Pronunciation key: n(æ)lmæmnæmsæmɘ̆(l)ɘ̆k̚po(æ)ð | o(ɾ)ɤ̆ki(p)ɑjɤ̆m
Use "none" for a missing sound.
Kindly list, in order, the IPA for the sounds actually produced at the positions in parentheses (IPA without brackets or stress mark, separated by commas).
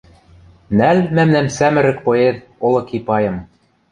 æ, ɾ, e, l, p